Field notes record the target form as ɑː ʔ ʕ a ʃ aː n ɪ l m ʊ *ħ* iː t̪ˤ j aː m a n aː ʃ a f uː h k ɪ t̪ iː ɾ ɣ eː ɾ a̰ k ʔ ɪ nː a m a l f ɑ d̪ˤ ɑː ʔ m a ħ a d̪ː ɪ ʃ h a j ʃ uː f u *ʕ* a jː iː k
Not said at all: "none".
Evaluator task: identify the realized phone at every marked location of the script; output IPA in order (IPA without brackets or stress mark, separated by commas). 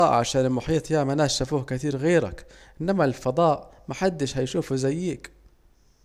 ħ, z